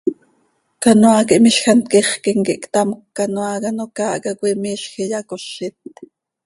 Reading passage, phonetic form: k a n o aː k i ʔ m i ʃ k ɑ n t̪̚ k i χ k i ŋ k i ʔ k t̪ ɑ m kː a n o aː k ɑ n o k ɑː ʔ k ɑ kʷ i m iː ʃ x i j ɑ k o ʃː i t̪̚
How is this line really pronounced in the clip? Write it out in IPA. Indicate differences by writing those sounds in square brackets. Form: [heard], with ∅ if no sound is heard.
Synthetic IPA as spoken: k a n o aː k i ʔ m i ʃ [x] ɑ n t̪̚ k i χ k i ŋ k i ʔ k t̪ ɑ m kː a n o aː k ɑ n o k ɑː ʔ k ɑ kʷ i m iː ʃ x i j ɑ k o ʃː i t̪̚